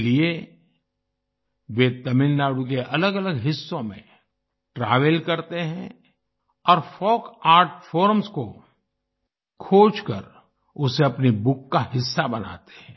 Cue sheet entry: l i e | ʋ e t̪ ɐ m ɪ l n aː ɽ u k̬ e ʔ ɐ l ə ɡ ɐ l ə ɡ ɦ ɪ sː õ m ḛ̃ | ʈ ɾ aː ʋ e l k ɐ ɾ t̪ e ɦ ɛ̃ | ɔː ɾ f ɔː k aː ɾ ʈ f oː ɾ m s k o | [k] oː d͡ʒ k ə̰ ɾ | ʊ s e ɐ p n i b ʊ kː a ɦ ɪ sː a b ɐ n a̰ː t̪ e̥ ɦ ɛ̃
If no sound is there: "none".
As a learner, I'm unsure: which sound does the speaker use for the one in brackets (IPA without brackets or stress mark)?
kʰ